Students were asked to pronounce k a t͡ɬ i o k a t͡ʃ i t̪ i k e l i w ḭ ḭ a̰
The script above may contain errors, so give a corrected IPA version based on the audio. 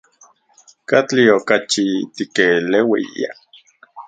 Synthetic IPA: k a t͡ɬ i o k a t͡ʃ i t̪ i k e l e w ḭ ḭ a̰